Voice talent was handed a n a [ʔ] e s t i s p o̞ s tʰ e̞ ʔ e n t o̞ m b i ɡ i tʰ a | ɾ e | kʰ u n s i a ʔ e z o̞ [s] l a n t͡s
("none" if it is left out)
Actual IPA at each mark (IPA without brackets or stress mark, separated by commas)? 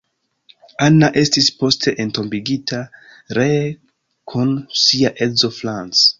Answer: ʔ, f